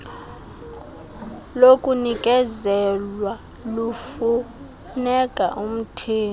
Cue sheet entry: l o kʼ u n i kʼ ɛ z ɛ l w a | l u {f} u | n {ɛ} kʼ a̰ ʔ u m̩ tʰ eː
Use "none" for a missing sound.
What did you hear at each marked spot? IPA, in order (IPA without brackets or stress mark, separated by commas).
f, ɛ